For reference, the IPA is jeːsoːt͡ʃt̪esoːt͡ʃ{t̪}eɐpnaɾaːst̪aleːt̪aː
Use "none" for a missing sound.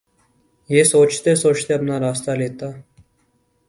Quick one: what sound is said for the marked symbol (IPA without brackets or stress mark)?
t̪